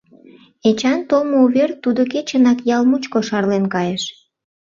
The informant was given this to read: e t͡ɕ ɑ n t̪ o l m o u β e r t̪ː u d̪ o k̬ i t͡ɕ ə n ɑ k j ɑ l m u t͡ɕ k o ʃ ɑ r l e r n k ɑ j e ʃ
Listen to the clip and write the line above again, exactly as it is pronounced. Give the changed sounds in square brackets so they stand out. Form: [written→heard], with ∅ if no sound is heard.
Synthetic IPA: e t͡ɕ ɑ n t̪ o l m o u β e r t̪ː u d̪ o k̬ [i→e] t͡ɕ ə n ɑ k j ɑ l m u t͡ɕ k o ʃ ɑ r l e [r→∅] n k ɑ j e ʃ